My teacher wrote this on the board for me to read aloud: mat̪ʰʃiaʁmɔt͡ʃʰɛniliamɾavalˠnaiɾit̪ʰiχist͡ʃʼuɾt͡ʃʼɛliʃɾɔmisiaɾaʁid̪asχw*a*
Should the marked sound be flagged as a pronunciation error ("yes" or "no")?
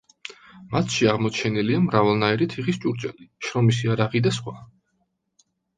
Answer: no